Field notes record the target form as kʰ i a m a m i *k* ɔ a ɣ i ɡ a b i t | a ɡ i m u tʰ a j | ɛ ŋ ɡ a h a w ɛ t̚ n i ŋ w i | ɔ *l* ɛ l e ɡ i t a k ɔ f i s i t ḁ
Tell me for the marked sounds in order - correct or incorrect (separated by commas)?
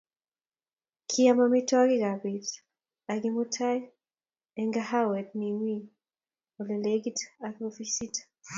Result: incorrect, correct